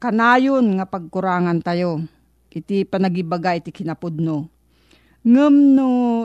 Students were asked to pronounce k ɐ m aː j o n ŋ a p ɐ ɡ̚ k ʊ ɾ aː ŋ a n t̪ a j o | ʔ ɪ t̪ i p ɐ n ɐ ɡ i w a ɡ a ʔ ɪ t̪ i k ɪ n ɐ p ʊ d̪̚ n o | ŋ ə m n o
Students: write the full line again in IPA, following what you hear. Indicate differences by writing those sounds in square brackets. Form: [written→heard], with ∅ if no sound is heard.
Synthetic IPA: k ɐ [m→n] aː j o n ŋ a p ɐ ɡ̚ k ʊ ɾ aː ŋ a n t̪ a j o | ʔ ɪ t̪ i p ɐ n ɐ ɡ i [w→b] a ɡ a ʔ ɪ t̪ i k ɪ n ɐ p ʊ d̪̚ n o | ŋ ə m n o